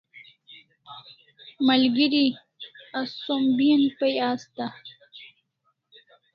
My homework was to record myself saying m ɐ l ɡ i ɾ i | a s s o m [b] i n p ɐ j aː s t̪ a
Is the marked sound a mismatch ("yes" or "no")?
no